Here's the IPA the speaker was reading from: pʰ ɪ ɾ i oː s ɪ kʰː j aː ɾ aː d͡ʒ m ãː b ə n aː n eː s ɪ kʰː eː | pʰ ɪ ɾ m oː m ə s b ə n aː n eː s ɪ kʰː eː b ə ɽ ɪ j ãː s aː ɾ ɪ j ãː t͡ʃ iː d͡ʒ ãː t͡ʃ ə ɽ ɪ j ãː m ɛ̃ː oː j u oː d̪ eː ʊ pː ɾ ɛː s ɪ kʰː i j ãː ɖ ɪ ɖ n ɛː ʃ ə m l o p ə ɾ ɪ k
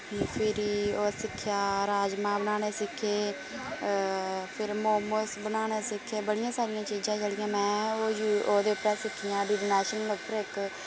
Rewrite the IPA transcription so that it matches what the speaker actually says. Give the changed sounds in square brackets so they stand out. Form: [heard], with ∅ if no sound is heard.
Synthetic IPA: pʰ ɪ ɾ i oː s ɪ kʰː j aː ɾ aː d͡ʒ m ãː b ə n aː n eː s ɪ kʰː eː | pʰ ɪ ɾ m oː m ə s b ə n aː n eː s ɪ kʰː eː b ə ɽ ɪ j ãː s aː ɾ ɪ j ãː t͡ʃ iː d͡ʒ ãː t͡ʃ ə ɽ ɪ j ãː m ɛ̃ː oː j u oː d̪ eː ʊ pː ɾ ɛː s ɪ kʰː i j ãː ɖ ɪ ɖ n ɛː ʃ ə [n] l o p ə ɾ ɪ k